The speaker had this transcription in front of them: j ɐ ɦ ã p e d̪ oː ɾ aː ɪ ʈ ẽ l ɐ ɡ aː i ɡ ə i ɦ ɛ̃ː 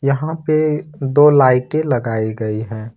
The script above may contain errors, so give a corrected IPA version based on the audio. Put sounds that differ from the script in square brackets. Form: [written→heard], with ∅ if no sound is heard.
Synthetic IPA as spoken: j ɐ ɦ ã p e d̪ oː [ɾ→l] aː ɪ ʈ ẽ l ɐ ɡ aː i ɡ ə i ɦ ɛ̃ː